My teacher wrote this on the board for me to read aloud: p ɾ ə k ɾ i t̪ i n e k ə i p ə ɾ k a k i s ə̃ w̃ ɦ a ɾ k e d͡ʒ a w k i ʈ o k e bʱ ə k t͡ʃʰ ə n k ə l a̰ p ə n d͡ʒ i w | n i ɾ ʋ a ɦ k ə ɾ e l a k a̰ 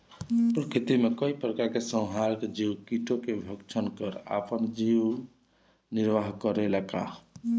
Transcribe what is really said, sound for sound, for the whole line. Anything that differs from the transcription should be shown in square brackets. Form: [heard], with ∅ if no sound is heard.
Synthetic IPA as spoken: p ɾ ə k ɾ i t̪ i [m] e k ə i p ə ɾ k a k [e] s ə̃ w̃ ɦ a ɾ k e d͡ʒ [i] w k i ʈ o k e bʱ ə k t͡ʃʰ ə n k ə [ɾ] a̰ p ə n d͡ʒ i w | n i ɾ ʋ a ɦ k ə ɾ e l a k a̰

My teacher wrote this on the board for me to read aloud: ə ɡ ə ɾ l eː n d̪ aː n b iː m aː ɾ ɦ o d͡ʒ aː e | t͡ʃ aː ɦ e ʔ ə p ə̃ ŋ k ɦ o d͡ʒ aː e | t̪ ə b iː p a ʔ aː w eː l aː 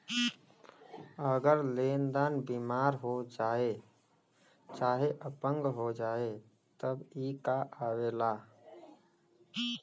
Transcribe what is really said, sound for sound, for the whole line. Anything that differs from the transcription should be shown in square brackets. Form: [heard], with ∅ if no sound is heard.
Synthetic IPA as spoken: ə ɡ ə ɾ l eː n d̪ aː n b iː m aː ɾ ɦ o d͡ʒ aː e | t͡ʃ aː ɦ e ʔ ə p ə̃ ŋ [ɡ] ɦ o d͡ʒ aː e | t̪ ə b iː [k] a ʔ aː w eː l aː

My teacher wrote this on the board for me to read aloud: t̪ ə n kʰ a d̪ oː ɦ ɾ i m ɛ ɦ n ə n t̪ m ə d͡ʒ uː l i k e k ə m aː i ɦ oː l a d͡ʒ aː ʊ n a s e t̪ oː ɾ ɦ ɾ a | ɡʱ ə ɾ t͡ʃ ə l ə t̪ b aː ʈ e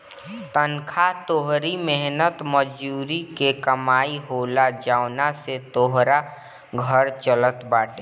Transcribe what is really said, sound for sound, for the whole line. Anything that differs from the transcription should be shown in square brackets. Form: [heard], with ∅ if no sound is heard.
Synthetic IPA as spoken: t̪ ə n kʰ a [t̪] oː ɦ ɾ i m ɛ ɦ n ə [∅] t̪ m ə d͡ʒ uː [ɾ] i k e k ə m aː i ɦ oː l a d͡ʒ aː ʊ n a s e t̪ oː [∅] ɦ ɾ a | ɡʱ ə ɾ t͡ʃ ə l ə t̪ b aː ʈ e

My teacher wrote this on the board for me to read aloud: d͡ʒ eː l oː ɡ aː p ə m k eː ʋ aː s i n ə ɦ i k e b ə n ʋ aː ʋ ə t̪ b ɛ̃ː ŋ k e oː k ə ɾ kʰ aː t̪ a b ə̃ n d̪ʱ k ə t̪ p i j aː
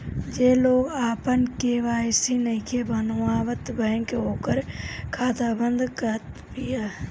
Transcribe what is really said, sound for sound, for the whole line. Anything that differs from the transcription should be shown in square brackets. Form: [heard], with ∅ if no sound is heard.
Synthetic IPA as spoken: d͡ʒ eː l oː ɡ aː p ə [n] k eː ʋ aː s i n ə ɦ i k e b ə n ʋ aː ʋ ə t̪ b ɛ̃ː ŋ k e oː k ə ɾ kʰ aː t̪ a b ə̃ n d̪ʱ k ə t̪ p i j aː

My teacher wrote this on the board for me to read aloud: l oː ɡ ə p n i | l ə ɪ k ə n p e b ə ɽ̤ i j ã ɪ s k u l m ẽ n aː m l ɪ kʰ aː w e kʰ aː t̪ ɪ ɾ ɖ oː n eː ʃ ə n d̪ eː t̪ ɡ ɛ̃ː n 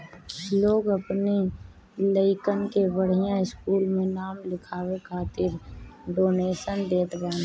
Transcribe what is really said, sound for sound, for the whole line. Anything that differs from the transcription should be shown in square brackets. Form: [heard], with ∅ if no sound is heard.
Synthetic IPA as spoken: l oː ɡ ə p n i | l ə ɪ k ə n [k] e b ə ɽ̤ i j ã ɪ s k [uː] l m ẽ n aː m l ɪ kʰ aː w e kʰ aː t̪ ɪ ɾ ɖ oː n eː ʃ ə n d̪ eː t̪ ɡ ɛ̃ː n

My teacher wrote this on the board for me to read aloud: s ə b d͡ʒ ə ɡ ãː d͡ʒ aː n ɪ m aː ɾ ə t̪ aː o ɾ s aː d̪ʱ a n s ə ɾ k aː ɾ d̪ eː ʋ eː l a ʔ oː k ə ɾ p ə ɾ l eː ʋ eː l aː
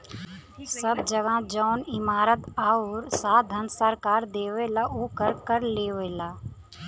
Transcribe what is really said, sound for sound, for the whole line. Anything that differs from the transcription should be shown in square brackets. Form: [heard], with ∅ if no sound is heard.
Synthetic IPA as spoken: s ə b d͡ʒ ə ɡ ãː d͡ʒ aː n ɪ m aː ɾ ə t̪ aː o ɾ s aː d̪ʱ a n s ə ɾ k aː ɾ d̪ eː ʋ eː l a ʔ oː k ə ɾ [k] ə ɾ l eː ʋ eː l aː

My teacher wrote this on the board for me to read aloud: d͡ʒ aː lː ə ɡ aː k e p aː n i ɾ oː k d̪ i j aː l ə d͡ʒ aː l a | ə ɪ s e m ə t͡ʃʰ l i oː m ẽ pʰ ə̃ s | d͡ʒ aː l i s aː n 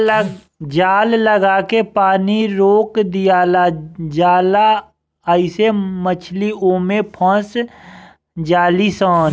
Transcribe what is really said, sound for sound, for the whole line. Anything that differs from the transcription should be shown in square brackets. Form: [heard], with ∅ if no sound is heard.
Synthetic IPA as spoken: d͡ʒ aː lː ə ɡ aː k e p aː n i ɾ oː k d̪ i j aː l [a] d͡ʒ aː l a | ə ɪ s e m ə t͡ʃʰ l i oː m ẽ pʰ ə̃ s | d͡ʒ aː l i s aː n

